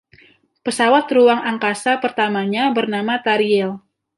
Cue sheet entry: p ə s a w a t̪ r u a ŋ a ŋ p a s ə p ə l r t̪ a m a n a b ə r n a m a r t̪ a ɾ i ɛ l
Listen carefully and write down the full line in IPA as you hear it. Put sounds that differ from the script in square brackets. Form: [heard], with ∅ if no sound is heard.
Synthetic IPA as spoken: p ə s a w a t̪ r u a ŋ a ŋ [k] a s [a] p ə [∅] r t̪ a m a [ɲ] a b ə r n a m a [∅] t̪ a ɾ i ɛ l